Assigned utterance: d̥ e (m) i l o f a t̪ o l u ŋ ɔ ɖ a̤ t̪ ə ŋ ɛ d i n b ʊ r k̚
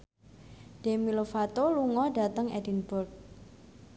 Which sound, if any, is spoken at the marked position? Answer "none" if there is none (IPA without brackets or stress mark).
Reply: m